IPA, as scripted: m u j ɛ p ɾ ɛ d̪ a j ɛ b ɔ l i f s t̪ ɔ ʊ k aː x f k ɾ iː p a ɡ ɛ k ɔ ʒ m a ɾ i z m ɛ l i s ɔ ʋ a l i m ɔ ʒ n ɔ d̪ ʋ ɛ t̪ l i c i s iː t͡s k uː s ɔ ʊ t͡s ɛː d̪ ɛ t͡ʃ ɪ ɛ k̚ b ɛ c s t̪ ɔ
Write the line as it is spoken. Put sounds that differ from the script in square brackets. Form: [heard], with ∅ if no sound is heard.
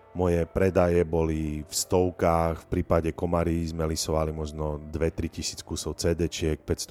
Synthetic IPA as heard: m [ɔ] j ɛ p ɾ ɛ d̪ a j ɛ b ɔ l i f s t̪ ɔ ʊ k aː x f [p] ɾ iː p a [ɟ] ɛ k ɔ [∅] m a ɾ i z m ɛ l i s ɔ ʋ a l i m ɔ ʒ n ɔ d̪ ʋ ɛ t̪ [ɾ] i c i s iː t͡s k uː s ɔ ʊ t͡s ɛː d̪ ɛ t͡ʃ ɪ ɛ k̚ [p] ɛ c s t̪ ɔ